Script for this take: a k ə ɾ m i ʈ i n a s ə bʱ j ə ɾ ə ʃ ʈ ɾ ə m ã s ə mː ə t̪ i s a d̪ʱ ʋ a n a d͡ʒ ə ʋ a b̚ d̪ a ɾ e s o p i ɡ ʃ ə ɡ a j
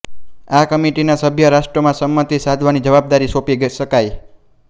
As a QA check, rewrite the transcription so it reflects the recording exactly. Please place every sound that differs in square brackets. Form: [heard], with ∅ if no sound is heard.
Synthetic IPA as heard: a k ə [∅] m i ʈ i n a s ə bʱ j ə ɾ [a] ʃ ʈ ɾ ə m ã s ə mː ə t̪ i s a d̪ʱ ʋ a n [i] d͡ʒ ə ʋ a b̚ d̪ a ɾ [i] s o p i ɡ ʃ ə [k] a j